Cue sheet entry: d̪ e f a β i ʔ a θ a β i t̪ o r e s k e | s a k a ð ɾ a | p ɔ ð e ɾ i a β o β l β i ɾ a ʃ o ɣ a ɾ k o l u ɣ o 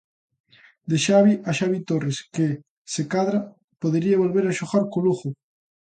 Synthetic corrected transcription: d̪ e ʃ a β i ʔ a ʃ a β i t̪ o r e s k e | s e k a ð ɾ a | p o ð e ɾ i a β o l β e ɾ a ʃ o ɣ a ɾ k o l u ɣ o